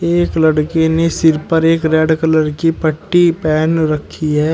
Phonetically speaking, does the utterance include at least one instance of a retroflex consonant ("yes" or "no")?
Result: yes